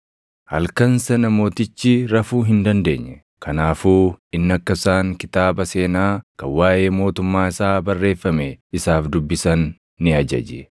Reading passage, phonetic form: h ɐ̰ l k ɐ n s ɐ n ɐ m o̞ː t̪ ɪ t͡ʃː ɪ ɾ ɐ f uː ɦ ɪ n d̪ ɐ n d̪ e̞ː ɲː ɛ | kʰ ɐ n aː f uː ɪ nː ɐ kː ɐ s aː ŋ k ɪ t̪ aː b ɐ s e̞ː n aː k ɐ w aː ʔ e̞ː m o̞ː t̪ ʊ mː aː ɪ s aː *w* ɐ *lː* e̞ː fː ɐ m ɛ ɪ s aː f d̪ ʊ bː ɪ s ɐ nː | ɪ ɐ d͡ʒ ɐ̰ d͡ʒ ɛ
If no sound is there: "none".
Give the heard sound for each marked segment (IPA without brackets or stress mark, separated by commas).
b, rː